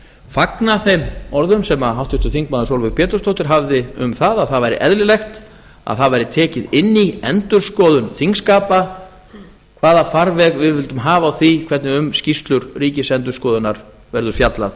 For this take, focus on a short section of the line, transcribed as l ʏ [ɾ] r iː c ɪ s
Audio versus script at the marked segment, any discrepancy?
no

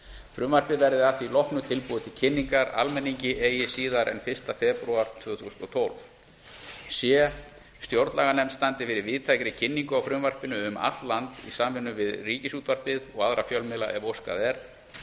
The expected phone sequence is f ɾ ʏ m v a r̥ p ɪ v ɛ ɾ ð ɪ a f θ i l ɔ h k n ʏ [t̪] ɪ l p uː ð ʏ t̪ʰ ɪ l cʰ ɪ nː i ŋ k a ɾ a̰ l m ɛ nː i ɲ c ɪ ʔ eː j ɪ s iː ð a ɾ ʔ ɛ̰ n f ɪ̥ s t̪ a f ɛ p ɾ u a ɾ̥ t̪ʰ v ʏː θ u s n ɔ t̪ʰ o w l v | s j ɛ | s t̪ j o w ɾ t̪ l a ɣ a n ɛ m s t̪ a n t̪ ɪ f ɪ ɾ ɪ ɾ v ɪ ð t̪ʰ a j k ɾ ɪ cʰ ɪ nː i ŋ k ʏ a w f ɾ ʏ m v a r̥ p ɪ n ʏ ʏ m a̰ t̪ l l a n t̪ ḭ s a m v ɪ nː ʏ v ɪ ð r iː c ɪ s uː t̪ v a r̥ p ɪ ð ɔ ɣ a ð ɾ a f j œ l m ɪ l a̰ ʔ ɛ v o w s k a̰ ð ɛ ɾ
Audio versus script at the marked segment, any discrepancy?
yes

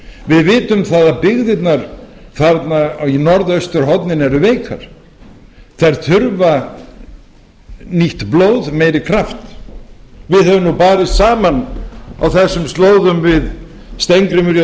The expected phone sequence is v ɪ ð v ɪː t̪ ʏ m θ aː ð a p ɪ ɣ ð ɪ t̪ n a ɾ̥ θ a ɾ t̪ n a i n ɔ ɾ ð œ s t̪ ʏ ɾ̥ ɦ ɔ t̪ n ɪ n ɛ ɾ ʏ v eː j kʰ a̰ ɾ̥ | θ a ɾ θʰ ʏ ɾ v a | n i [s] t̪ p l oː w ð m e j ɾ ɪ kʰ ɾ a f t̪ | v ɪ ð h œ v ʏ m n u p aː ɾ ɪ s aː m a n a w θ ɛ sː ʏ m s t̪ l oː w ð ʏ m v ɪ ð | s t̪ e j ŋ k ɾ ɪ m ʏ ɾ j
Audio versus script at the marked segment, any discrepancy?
yes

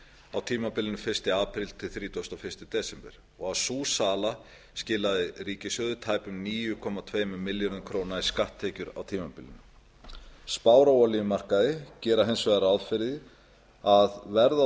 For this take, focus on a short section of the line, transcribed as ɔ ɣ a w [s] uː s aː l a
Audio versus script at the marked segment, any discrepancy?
no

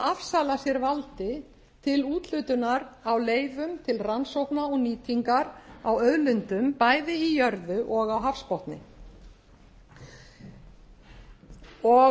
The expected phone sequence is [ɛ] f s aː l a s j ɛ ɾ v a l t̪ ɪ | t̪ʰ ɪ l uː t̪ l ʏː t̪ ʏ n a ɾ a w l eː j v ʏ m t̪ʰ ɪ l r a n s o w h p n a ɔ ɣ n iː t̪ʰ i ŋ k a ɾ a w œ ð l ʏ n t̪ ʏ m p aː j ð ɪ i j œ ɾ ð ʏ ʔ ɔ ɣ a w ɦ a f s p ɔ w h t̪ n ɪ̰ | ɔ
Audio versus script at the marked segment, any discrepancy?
yes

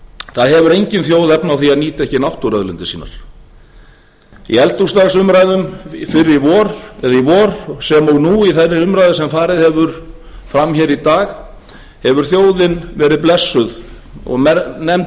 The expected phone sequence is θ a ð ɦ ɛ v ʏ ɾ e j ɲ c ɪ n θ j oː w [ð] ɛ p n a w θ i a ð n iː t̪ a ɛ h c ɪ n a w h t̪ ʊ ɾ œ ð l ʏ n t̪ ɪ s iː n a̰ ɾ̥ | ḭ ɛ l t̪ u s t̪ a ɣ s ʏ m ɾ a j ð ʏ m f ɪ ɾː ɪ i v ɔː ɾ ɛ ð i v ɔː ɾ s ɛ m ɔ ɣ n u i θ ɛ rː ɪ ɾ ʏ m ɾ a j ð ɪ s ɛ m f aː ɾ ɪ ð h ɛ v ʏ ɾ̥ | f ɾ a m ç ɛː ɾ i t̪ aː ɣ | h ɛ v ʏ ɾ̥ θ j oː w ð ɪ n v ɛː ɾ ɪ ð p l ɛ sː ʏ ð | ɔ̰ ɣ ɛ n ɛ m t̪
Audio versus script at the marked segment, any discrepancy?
no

